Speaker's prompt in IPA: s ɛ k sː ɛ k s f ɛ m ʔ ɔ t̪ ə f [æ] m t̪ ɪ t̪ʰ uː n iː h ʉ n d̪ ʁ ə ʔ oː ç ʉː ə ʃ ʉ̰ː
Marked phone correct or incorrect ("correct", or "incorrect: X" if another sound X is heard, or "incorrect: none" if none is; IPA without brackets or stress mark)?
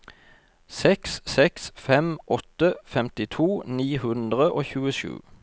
incorrect: ɛ